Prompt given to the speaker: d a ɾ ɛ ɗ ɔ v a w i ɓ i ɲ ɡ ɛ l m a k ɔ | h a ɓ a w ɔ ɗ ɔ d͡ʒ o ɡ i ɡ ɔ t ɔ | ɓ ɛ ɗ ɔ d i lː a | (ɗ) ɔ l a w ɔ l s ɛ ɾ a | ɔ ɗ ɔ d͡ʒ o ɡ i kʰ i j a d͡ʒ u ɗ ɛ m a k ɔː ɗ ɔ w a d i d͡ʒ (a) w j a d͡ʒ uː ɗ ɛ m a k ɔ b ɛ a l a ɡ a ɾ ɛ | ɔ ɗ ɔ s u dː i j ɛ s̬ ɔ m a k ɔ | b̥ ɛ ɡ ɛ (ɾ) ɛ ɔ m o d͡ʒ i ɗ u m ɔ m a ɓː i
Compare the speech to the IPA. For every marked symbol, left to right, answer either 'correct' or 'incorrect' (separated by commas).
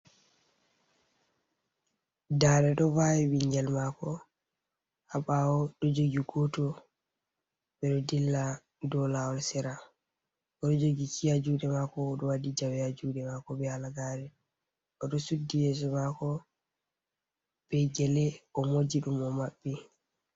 incorrect, correct, incorrect